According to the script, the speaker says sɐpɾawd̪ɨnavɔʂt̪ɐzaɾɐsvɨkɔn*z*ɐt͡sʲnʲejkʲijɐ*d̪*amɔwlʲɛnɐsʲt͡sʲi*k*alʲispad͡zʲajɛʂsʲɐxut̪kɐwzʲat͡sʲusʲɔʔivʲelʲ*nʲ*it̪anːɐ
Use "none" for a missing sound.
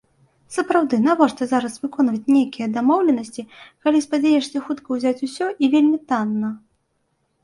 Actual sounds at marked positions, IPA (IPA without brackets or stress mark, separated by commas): v, d̪, k, mʲ